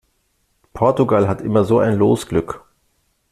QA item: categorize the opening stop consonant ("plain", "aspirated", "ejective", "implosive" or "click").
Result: aspirated